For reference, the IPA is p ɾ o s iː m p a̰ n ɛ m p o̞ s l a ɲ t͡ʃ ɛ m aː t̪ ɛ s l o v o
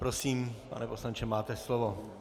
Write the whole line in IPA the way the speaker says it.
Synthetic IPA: p ɾ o s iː m p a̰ n ɛ p o̞ s l a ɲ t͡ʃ ɛ m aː t̪ ɛ s l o v o